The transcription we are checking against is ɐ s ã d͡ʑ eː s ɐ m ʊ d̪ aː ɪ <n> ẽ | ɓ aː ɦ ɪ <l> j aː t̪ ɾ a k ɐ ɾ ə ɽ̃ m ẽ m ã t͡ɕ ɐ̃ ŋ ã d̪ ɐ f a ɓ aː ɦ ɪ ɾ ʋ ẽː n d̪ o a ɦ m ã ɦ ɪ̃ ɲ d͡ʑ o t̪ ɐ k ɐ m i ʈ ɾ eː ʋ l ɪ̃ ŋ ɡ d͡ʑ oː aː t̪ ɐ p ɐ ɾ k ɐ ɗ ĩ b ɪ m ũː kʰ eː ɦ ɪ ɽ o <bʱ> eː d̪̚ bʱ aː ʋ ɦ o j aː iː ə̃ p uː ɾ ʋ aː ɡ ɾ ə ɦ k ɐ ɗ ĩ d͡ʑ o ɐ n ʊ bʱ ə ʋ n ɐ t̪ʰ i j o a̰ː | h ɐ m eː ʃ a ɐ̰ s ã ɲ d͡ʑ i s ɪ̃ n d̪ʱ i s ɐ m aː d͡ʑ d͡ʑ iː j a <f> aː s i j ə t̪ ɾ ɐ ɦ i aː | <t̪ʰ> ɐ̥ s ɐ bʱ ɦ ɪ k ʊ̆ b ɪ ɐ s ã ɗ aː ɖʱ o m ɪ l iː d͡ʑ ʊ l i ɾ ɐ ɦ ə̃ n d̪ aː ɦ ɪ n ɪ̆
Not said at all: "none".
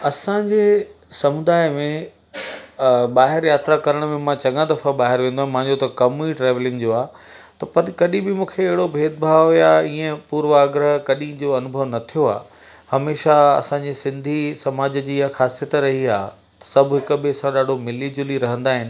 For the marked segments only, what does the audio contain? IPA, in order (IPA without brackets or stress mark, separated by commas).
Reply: m, ɾ, bʱ, x, t̪